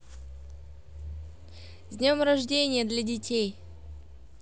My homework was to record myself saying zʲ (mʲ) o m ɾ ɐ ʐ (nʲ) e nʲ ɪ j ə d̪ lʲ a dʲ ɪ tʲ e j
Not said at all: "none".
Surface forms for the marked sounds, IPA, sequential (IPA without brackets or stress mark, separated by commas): nʲ, dʲ